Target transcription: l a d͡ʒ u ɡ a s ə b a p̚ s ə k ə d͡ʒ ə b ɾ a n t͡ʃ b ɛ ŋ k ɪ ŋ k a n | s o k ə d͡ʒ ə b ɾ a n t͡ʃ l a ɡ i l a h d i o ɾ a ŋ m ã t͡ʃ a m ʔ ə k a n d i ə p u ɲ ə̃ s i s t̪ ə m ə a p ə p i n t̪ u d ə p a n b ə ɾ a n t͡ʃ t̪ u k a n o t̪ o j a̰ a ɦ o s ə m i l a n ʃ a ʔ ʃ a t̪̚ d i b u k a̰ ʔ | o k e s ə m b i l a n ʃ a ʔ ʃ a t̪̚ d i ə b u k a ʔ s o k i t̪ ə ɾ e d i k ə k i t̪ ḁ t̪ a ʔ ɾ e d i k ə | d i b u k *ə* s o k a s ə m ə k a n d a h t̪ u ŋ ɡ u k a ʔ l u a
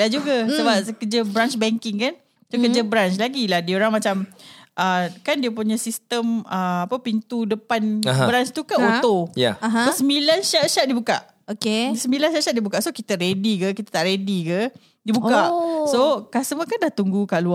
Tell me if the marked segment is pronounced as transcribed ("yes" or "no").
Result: no